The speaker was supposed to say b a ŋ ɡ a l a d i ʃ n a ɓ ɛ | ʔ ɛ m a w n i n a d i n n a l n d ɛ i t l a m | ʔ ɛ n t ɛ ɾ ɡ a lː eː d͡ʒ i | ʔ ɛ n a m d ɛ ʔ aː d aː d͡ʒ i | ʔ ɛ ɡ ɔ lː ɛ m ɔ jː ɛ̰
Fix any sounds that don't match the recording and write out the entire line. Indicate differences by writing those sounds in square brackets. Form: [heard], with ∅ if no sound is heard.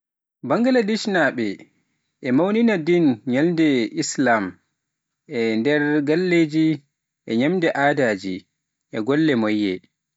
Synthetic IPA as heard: b a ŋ ɡ a l a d i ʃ n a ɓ ɛ | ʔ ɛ m a w n i n a d i n [ɲ] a l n d ɛ i [s] l a m | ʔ ɛ n [d] ɛ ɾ ɡ a lː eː d͡ʒ i | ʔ ɛ [ɲ] a m d ɛ ʔ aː d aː d͡ʒ i | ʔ ɛ ɡ ɔ lː ɛ m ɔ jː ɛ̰